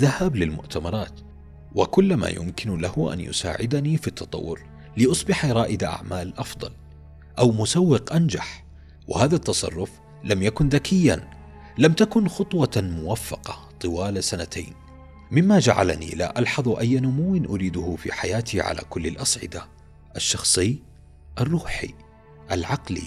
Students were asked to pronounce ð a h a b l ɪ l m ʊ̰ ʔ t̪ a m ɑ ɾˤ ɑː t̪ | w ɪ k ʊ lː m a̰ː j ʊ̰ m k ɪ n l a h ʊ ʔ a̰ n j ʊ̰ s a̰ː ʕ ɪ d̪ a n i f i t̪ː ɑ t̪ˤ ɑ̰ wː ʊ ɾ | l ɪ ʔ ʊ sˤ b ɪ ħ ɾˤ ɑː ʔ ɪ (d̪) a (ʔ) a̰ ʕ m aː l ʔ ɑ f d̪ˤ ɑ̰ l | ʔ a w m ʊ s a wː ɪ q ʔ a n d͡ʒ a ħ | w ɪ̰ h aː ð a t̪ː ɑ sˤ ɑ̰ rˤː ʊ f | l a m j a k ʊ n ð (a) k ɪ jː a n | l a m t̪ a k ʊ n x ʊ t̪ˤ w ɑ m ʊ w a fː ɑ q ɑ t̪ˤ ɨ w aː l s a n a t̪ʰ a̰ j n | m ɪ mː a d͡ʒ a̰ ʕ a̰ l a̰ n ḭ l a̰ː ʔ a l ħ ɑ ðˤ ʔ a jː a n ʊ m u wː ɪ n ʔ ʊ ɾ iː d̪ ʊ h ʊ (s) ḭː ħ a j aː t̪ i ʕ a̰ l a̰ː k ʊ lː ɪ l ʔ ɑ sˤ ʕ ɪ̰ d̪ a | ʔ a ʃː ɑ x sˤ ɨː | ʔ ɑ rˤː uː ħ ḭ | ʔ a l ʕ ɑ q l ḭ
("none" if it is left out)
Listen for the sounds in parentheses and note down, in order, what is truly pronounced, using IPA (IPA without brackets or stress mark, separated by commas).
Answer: d̪, ʔ, a, f